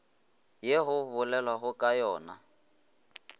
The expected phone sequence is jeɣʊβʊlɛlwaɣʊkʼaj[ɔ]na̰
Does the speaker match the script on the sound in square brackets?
no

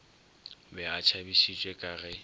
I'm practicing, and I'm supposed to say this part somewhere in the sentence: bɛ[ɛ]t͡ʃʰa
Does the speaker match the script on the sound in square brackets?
no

